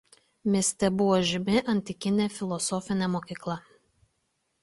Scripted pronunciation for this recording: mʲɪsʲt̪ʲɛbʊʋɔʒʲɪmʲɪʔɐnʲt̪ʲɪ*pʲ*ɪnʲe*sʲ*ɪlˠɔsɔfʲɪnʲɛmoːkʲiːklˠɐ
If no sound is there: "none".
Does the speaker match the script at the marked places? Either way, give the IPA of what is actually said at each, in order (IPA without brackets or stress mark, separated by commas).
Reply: kʲ, fʲ